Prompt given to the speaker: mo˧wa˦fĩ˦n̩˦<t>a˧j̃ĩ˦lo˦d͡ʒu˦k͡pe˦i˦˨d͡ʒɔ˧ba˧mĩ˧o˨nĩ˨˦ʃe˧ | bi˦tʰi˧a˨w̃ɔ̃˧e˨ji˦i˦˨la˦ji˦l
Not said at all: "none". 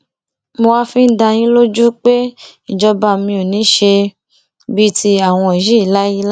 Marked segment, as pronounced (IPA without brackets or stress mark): d